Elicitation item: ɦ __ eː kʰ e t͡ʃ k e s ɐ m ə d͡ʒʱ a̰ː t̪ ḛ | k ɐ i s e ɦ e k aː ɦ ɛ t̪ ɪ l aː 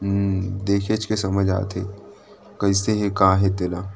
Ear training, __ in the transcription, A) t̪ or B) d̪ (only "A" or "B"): B